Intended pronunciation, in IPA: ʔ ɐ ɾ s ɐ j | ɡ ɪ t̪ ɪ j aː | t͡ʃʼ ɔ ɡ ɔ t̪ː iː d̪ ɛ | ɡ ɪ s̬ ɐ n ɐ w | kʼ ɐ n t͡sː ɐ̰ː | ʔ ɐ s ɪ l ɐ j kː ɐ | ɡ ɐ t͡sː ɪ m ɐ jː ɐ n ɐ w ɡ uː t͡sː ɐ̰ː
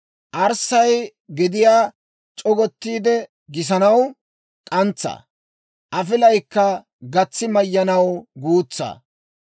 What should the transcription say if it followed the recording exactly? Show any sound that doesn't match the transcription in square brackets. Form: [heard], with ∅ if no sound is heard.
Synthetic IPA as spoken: ʔ ɐ ɾ s ɐ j | ɡ ɪ [d̪] ɪ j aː | t͡ʃʼ ɔ ɡ ɔ t̪ː iː d̪ ɛ | ɡ ɪ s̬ ɐ n ɐ w | kʼ ɐ n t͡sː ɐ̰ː | ʔ ɐ [f] ɪ l ɐ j kː ɐ | ɡ ɐ t͡sː ɪ m ɐ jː ɐ n ɐ w ɡ uː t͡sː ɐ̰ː